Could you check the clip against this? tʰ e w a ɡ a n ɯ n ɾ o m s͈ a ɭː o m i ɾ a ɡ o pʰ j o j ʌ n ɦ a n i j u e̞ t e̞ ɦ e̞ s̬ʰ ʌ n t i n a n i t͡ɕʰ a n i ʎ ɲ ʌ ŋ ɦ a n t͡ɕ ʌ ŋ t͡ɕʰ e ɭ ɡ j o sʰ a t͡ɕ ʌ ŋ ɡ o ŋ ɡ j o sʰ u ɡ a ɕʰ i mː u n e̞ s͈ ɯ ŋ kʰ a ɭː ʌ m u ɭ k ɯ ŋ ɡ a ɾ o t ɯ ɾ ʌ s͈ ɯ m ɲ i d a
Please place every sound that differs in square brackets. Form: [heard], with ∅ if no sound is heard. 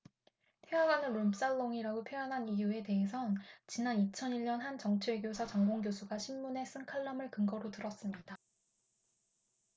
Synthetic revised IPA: tʰ e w a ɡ a n ɯ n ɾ o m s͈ a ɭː o [ŋ] i ɾ a ɡ o pʰ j o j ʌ n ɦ a n i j u e̞ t e̞ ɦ e̞ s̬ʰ ʌ n [t͡ɕ] i n a n i t͡ɕʰ [ʌ] n i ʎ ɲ ʌ [n] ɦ a n t͡ɕ ʌ ŋ t͡ɕʰ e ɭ ɡ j o sʰ a t͡ɕ ʌ ŋ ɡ o ŋ ɡ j o sʰ u ɡ a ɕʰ i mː u n e̞ s͈ ɯ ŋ kʰ a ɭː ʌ m [ɯ] ɭ k ɯ ŋ ɡ [ʌ] ɾ o t ɯ ɾ ʌ s͈ ɯ m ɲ i d a